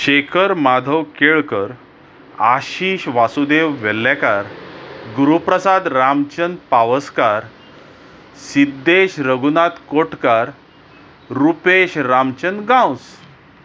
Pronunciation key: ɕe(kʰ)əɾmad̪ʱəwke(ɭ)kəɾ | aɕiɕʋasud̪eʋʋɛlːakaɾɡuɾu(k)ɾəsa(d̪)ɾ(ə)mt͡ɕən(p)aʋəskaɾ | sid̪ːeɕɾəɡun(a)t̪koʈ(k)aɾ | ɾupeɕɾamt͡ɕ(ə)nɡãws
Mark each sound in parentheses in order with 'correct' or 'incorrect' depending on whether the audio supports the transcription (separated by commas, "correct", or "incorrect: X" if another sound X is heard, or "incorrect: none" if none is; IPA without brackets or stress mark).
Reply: correct, correct, incorrect: p, correct, incorrect: a, correct, correct, correct, correct